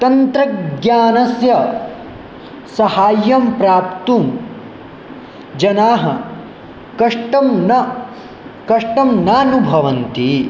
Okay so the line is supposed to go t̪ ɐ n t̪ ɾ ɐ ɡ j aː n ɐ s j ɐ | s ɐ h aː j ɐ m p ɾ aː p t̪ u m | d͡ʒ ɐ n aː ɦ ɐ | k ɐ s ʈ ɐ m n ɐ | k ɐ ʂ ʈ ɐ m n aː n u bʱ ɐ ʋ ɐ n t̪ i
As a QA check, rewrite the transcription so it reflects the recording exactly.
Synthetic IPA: t̪ ɐ n t̪ ɾ ɐ ɡ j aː n ɐ s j ɐ | s ɐ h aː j ɐ m p ɾ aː p t̪ u m | d͡ʒ ɐ n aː ɦ ɐ | k ɐ ʂ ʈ ɐ m n ɐ | k ɐ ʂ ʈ ɐ m n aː n u bʱ ɐ ʋ ɐ n t̪ i

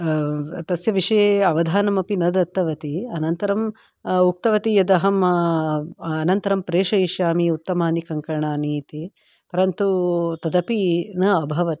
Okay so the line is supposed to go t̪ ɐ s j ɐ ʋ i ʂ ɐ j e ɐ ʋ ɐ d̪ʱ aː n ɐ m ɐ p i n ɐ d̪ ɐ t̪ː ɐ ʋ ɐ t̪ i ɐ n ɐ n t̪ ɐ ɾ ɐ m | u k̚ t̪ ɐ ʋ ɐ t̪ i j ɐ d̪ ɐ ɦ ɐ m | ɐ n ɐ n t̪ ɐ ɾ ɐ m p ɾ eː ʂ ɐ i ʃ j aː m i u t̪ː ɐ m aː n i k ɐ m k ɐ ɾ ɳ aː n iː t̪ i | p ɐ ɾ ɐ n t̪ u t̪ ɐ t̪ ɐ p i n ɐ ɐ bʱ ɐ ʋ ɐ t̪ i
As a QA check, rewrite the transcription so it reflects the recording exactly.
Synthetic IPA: t̪ ɐ s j ɐ ʋ i ʂ ɐ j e ɐ ʋ ɐ d̪ʱ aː n ɐ m ɐ p i n ɐ d̪ ɐ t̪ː ɐ ʋ ɐ t̪ i ɐ n ɐ n t̪ ɐ ɾ ɐ m | u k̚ t̪ ɐ ʋ ɐ t̪ i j ɐ d̪ ɐ ɦ ɐ m | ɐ n ɐ n t̪ ɐ ɾ ɐ m p ɾ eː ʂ ɐ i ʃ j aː m i u t̪ː ɐ m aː n i k ɐ ŋ k ɐ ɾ ɳ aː n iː t̪ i | p ɐ ɾ ɐ n t̪ u t̪ ɐ d̪ ɐ p i n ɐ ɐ bʱ ɐ ʋ ɐ t̪ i

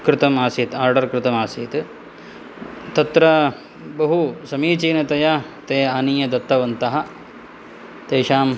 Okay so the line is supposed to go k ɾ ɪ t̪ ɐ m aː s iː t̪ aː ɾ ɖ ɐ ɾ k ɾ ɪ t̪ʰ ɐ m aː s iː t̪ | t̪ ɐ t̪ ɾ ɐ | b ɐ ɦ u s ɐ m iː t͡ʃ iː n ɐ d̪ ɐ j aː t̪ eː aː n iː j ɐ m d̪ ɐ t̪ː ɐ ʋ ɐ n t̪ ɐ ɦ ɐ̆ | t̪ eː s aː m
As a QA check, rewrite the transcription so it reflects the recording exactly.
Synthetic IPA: k ɾ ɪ t̪ ɐ m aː s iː t̪ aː ɾ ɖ ɐ ɾ k ɾ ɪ t̪ ɐ m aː s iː t̪ | t̪ ɐ t̪ ɾ ɐ | b ɐ ɦ u s ɐ m iː t͡ʃ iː n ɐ t̪ ɐ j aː t̪ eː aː n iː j ɐ d̪ ɐ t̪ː ɐ ʋ ɐ n t̪ ɐ ɦ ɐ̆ | t̪ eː ʃ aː m

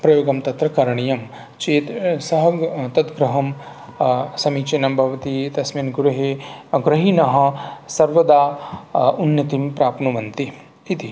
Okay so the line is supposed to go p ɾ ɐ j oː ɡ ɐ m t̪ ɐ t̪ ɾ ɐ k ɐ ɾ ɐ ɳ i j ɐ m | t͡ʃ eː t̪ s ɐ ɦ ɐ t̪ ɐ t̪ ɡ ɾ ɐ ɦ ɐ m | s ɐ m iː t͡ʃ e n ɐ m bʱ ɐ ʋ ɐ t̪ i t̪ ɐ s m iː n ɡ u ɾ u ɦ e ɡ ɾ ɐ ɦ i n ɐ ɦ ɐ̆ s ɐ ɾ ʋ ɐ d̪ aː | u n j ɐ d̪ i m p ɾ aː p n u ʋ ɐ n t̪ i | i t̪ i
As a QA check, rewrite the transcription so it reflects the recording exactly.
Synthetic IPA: p ɾ ɐ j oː ɡ ɐ m t̪ ɐ t̪ ɾ ɐ k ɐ ɾ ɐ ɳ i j ɐ m | t͡ʃ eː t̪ s ɐ ɦ ɐ t̪ ɐ t̪ ɡ ɾ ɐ ɦ ɐ m | s ɐ m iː t͡ʃ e n ɐ m bʱ ɐ ʋ ɐ t̪ i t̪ ɐ s m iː n ɡ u ɾ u ɦ e ɡ ɾ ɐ ɦ i n ɐ ɦ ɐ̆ s ɐ ɾ ʋ ɐ d̪ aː | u n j ɐ t̪ i m p ɾ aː p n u ʋ ɐ n t̪ i | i t̪ i

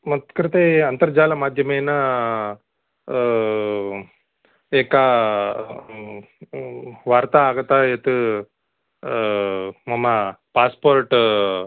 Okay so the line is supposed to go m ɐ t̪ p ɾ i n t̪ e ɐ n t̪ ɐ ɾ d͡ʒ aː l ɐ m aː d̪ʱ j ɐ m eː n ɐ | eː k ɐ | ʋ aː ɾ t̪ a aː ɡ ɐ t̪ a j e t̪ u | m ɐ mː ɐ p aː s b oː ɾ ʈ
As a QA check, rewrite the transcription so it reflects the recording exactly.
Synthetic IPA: m ɐ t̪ k ɾ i t̪ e ɐ n t̪ ɐ ɾ d͡ʒ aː l ɐ m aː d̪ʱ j ɐ m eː n ɐ | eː k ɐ | ʋ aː ɾ t̪ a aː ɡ ɐ t̪ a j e t̪ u | m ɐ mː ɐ p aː s p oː ɾ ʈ

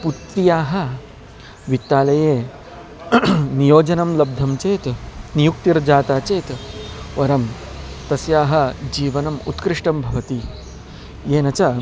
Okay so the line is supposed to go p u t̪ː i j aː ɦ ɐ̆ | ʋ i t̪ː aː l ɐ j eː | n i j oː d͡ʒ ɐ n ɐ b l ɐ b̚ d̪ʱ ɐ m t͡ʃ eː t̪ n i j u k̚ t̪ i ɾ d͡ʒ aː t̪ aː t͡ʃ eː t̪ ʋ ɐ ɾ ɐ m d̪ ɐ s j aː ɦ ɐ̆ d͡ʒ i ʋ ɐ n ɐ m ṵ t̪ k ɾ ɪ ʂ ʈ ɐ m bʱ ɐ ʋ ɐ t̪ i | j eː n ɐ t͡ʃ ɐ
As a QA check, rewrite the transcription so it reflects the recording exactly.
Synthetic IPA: p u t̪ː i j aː ɦ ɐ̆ | ʋ i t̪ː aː l ɐ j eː | n i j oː d͡ʒ ɐ n ɐ m l ɐ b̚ d̪ʱ ɐ m t͡ʃ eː t̪ n i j u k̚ t̪ i ɾ d͡ʒ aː t̪ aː t͡ʃ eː t̪ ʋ ɐ ɾ ɐ m t̪ ɐ s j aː ɦ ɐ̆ d͡ʒ iː ʋ ɐ n ɐ m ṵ t̪ k ɾ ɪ ʂ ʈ ɐ m bʱ ɐ ʋ ɐ t̪ i | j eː n ɐ t͡ʃ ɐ

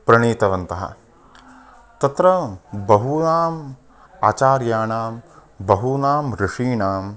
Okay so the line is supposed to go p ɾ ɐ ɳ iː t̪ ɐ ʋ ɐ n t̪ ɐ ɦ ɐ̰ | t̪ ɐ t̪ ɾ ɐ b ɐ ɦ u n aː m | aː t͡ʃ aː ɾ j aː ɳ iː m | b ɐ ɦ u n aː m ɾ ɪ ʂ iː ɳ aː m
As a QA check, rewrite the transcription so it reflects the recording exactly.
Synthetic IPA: p ɾ ɐ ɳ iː t̪ ɐ ʋ ɐ n t̪ ɐ ɦ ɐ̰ | t̪ ɐ t̪ ɾ ɐ b ɐ ɦ u n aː m | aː t͡ʃ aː ɾ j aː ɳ aː m | b ɐ ɦ u n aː m ɾ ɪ ʂ iː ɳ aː m

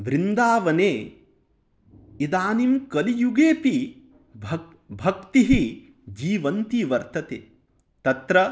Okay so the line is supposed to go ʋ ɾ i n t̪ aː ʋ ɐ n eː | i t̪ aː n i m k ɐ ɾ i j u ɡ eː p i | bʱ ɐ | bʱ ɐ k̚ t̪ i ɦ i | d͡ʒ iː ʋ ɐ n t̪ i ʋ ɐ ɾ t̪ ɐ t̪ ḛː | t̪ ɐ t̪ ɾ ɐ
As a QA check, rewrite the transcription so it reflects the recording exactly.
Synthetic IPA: ʋ ɾ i n d̪ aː ʋ ɐ n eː | i d̪ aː n i m k ɐ l i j u ɡ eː p i | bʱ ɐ | bʱ ɐ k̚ t̪ i ɦ i | d͡ʒ iː ʋ ɐ n t̪ i ʋ ɐ ɾ t̪ ɐ t̪ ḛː | t̪ ɐ t̪ ɾ ɐ

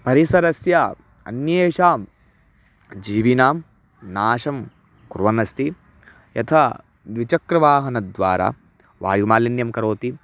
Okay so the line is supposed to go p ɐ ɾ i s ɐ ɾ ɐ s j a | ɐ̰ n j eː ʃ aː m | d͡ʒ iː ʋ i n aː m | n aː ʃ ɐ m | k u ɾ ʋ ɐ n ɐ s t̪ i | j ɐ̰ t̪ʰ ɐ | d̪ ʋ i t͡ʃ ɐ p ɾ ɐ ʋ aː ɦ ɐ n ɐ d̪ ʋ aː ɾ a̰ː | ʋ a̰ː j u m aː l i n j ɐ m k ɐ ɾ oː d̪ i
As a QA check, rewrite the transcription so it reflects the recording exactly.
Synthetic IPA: p ɐ ɾ i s ɐ ɾ ɐ s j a | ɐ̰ n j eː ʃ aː m | d͡ʒ iː ʋ i n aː m | n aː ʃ ɐ m | k u ɾ ʋ ɐ n ɐ s t̪ i | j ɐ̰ t̪ʰ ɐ | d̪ ʋ i t͡ʃ ɐ k ɾ ɐ ʋ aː ɦ ɐ n ɐ d̪ ʋ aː ɾ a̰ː | ʋ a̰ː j u m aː l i n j ɐ m k ɐ ɾ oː t̪ i

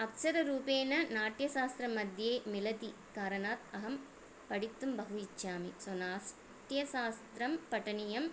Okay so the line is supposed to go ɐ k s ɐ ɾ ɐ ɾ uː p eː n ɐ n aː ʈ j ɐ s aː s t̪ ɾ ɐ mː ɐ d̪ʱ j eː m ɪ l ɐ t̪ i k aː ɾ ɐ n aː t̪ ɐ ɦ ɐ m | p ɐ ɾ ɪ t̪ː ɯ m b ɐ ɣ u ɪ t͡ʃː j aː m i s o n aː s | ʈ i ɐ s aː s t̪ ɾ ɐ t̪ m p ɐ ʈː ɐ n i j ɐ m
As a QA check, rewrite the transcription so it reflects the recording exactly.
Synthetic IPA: ɐ k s ɐ ɾ ɐ ɾ uː p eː n ɐ n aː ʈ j ɐ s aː s t̪ ɾ ɐ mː ɐ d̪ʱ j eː m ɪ l ɐ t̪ i k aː ɾ ɐ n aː t̪ ɐ ɦ ɐ m | p ɐ ɽ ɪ t̪ː ɯ m b ɐ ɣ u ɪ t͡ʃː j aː m i s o n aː s | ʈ j ɐ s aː s t̪ ɾ ɐ m p ɐ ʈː ɐ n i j ɐ m

